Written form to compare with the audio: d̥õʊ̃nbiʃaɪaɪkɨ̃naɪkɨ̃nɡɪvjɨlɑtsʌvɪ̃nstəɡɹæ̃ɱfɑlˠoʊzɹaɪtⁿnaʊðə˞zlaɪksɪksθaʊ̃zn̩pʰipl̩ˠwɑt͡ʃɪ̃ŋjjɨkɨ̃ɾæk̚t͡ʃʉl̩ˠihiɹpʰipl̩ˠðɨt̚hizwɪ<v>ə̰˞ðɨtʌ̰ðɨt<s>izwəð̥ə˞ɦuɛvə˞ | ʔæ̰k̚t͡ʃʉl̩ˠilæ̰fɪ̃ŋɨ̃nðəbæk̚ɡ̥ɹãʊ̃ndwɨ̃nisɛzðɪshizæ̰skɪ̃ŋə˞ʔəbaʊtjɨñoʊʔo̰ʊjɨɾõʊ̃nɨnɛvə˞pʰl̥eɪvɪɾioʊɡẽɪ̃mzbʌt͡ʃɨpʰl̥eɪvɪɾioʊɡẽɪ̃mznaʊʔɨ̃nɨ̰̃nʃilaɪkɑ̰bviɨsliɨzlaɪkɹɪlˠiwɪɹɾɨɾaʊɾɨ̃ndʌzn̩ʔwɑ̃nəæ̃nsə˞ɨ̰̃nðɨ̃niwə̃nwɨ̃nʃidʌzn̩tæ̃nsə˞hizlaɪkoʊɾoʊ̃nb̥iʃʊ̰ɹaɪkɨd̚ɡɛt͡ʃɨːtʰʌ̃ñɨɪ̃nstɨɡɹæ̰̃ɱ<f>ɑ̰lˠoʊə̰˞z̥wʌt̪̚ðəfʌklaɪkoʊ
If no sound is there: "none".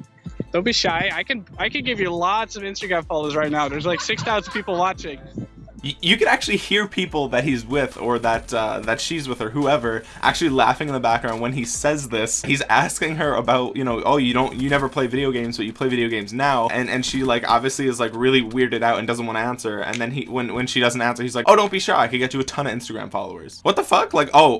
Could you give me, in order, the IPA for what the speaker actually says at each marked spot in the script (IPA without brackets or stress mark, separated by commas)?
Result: ð, ʃ, f